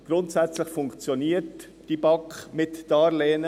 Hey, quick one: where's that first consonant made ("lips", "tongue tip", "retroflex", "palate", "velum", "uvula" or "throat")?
velum